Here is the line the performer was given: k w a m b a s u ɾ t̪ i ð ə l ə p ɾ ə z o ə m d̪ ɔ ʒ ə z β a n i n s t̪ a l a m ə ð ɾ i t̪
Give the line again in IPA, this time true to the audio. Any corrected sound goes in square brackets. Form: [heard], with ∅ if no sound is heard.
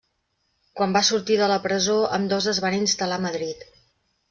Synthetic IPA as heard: k w a m b a s u ɾ t̪ i ð ə l ə p ɾ ə z o ə m d̪ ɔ [z] ə z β a n i n s t̪ [ə] l a m ə ð ɾ i t̪